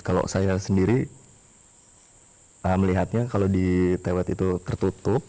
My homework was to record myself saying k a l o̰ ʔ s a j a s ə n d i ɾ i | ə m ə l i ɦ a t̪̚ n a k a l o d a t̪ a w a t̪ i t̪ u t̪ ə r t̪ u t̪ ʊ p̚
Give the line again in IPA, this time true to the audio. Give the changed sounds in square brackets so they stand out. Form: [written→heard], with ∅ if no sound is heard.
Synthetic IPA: k a l o̰ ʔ s a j a s ə n d i ɾ i | ə m ə l i ɦ a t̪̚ [n→ɲ] a k a l o d [a→i] t̪ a w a t̪ i t̪ u t̪ ə r t̪ u t̪ ʊ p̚